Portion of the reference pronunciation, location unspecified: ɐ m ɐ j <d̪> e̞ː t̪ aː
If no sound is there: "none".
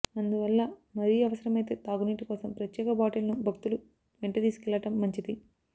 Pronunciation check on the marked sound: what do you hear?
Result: t̪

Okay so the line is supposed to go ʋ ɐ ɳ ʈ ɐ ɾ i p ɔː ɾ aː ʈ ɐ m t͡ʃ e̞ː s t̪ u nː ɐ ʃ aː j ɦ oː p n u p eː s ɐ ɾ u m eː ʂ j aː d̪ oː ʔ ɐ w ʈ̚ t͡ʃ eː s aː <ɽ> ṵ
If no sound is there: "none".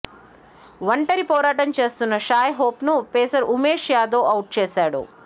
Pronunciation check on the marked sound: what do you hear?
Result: ɽ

